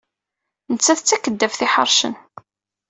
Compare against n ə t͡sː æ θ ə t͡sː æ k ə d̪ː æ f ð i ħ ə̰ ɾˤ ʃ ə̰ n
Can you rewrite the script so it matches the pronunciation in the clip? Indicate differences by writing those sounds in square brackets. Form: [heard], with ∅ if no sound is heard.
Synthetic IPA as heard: n ə t͡sː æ θ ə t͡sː æ k ə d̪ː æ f [θ] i ħ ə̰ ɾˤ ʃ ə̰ n

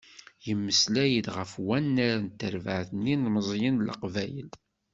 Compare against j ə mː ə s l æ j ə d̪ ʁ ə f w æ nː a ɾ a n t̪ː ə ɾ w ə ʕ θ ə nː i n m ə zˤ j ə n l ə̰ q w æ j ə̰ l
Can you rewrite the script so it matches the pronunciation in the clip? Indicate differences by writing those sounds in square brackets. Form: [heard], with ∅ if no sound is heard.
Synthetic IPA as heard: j ə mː ə s l æ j ə d̪ ʁ ə f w æ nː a ɾ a n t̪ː ə ɾ [v] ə ʕ θ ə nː i n m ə zˤ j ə n l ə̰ q [v] æ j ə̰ l

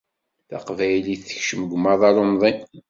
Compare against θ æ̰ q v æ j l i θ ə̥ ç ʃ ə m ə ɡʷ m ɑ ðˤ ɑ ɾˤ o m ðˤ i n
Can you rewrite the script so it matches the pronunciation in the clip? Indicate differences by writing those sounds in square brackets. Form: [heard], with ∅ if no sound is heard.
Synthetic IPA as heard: θ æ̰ q v æ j l i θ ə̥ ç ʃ ə m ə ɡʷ m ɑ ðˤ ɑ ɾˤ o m ðˤ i n

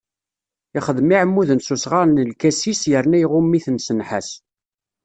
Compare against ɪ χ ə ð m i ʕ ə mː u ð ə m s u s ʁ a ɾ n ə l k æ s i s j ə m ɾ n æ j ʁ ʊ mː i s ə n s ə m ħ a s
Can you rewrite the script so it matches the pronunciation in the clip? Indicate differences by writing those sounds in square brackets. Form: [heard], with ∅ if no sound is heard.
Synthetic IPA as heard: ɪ χ ə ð m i ʕ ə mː u ð ə [n] s u s ʁ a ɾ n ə l k æ s i s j ə [∅] ɾ n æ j ʁ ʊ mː i [θ] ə n s ə [n] ħ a s

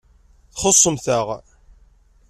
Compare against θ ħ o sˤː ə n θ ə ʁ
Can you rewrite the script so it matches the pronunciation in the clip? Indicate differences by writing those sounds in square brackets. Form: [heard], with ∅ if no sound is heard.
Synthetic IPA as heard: θ [χ] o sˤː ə [m] θ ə ʁ

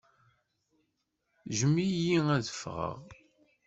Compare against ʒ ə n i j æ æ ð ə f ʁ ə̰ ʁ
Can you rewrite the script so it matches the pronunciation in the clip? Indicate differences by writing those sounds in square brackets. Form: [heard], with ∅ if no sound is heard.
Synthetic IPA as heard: ʒ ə [m] i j [i] æ ð ə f ʁ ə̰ ʁ

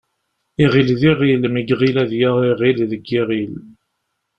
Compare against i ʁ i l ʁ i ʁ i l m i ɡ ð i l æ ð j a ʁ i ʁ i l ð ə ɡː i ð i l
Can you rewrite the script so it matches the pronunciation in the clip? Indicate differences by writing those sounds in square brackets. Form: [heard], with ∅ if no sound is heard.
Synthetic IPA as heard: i ʁ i l [ð] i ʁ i l m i ɡ [ʁ] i l æ ð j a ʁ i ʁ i l ð ə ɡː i [ʁ] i l

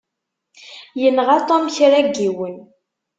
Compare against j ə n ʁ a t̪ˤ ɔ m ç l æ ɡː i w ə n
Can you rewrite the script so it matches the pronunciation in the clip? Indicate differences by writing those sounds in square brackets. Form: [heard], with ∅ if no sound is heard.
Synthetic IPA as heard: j ə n ʁ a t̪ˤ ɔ m ç [ɾ] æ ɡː i w ə n

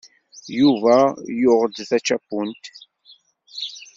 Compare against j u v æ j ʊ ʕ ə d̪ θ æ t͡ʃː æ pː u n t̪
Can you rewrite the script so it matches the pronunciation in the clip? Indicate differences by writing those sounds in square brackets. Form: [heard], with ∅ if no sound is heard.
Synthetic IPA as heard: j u v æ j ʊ [ʁ] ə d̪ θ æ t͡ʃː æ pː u n t̪

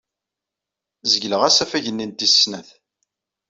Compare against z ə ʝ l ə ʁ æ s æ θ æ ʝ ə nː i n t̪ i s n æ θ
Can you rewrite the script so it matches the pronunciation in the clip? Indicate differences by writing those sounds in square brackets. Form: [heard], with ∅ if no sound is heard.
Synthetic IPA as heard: z ə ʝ l ə ʁ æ s æ [f] æ ʝ ə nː i n t̪ i s n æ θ

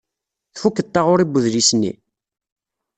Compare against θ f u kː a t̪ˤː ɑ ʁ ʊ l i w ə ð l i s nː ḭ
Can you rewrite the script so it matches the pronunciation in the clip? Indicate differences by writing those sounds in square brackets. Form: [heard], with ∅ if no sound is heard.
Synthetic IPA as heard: θ f u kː [ə] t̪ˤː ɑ ʁ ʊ [ɾ] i [b] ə ð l i s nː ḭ

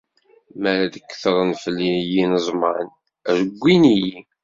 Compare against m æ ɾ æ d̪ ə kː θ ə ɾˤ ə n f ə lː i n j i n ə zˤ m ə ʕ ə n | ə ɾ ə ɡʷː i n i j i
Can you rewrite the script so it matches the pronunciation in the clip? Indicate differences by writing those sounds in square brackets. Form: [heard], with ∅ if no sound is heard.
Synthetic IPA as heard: m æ ɾ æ d̪ ə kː θ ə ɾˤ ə n f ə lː i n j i n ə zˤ m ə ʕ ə n | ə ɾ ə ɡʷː i n i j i

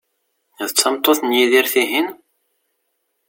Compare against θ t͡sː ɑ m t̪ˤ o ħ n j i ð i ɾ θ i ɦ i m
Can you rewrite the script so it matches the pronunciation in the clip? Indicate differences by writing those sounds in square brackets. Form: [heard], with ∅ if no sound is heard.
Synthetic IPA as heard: [ð] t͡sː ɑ m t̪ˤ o [θ] n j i ð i ɾ θ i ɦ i [n]

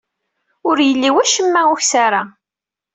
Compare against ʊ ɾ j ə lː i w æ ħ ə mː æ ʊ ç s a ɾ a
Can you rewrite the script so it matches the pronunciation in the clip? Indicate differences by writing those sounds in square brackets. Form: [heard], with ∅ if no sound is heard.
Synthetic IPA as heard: ʊ ɾ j ə lː i w æ [ʃ] ə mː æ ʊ ç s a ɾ a

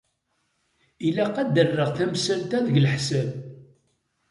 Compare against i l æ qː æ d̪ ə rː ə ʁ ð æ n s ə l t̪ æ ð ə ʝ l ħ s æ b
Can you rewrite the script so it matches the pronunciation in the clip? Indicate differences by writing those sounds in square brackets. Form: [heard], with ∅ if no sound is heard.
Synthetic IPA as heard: i l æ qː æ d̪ ə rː ə ʁ [θ] æ [m] s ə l t̪ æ ð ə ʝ l ħ s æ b

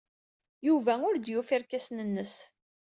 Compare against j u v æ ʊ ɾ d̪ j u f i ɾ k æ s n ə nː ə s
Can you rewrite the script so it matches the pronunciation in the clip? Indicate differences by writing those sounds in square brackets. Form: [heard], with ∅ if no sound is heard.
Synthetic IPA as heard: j u v æ ʊ ɾ d̪ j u f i ɾ k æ s n ə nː ə s

